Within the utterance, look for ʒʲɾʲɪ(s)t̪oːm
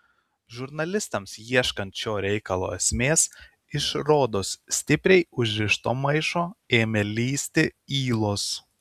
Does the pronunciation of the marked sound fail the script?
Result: yes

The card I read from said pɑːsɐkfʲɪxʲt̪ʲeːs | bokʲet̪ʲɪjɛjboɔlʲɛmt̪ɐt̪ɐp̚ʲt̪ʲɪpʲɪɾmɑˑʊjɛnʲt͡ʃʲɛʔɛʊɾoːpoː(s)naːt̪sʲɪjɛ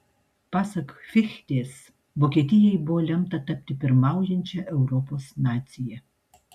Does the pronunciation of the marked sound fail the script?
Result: no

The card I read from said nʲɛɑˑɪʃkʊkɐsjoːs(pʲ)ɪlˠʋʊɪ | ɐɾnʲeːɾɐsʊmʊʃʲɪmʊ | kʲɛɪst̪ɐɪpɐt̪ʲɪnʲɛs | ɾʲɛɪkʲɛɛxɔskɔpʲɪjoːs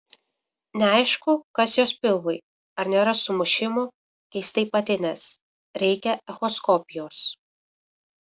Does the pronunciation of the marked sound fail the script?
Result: no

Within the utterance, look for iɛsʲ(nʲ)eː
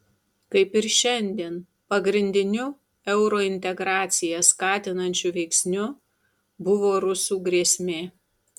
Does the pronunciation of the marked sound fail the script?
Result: yes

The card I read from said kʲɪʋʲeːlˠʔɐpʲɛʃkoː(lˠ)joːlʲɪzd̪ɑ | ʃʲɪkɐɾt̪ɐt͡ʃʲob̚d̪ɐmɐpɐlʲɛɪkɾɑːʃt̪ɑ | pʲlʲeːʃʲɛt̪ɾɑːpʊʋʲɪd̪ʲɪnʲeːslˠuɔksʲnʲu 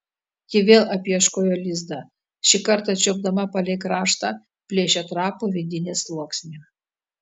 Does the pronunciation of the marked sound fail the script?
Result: yes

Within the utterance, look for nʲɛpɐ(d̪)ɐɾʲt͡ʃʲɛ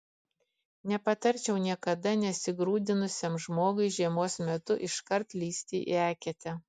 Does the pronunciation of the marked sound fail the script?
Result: yes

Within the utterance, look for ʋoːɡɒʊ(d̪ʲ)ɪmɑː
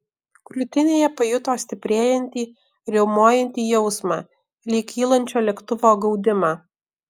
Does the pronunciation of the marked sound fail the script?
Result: no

